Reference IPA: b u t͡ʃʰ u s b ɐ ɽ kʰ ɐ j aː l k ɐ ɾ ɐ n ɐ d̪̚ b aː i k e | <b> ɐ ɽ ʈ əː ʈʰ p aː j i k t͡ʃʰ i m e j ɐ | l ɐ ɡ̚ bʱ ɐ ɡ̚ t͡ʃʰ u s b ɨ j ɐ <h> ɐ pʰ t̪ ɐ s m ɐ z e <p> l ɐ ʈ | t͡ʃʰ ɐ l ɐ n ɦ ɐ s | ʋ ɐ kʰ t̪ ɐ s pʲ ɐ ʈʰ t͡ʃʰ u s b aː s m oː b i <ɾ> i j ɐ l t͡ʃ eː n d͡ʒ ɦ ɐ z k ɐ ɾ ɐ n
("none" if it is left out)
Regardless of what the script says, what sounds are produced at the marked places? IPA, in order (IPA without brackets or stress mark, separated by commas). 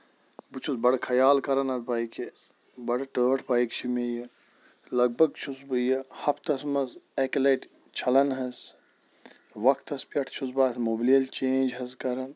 b, h, k, l